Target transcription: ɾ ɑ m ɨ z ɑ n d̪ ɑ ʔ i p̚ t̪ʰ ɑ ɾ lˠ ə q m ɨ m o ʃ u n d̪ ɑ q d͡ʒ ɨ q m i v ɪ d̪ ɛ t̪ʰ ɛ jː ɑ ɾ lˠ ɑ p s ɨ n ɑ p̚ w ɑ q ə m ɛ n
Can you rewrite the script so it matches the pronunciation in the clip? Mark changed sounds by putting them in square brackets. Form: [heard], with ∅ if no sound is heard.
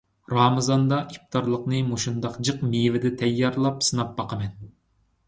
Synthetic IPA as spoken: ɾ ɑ m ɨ z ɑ n d̪ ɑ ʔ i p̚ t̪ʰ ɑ ɾ lˠ ə q [n] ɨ m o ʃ u n d̪ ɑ q d͡ʒ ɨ q m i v ɪ d̪ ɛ t̪ʰ ɛ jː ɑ ɾ lˠ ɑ p s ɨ n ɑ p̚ [b] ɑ q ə m ɛ n